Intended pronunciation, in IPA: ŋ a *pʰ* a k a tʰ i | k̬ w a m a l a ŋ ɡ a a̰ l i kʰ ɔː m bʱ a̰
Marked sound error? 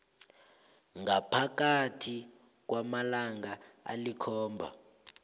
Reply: no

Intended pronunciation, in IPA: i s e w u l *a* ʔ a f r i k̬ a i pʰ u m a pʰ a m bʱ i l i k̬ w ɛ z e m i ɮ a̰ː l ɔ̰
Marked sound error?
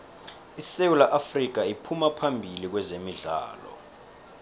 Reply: no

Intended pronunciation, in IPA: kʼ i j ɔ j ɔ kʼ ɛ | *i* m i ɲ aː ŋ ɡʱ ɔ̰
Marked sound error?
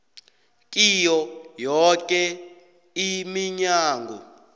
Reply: no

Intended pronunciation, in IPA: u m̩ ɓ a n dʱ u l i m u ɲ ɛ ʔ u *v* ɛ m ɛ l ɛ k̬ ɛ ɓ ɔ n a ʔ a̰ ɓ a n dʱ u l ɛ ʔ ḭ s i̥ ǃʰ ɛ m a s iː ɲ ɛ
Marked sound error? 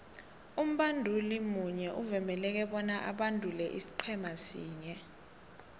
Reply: no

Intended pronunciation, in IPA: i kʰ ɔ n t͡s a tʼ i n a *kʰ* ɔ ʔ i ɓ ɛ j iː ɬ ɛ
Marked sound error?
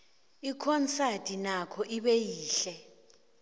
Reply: no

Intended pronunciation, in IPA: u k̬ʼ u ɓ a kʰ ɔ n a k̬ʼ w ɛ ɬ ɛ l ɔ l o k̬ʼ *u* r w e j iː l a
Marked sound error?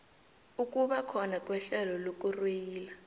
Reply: no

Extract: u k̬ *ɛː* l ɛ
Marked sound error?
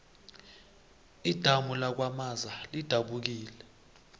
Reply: yes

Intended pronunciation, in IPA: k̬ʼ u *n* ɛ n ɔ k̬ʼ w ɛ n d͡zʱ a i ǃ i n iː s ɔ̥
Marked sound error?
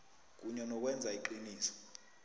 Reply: yes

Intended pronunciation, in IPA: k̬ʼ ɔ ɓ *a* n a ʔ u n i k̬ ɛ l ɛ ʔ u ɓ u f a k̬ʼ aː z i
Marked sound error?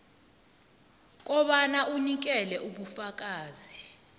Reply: no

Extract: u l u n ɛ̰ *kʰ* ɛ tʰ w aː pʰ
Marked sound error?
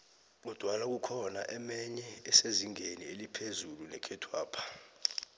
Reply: no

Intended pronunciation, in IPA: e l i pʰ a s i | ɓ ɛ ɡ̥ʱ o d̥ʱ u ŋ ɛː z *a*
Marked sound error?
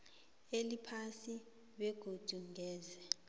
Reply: yes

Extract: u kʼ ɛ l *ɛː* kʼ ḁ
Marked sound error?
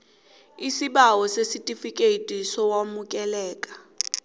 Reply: no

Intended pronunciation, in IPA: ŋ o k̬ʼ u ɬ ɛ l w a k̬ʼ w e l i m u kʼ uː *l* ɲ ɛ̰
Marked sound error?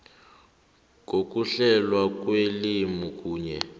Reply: yes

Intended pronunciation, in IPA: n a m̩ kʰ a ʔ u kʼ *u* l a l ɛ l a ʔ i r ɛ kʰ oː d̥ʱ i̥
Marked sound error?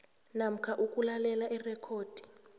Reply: no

